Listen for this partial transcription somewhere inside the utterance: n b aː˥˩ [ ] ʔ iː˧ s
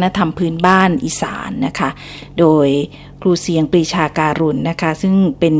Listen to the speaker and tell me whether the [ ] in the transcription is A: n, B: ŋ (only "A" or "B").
A